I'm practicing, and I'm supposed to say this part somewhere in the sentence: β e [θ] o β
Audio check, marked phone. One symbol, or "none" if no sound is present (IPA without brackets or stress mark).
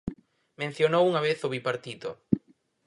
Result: θ